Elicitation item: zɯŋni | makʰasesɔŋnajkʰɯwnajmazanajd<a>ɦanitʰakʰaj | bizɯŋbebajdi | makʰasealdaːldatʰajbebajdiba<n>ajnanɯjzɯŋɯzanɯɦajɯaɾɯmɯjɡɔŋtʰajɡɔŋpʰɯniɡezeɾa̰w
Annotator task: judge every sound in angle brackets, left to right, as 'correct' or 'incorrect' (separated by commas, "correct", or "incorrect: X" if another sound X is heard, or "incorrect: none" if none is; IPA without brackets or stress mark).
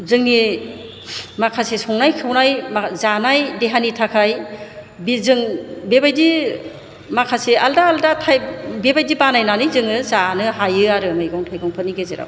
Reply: incorrect: e, correct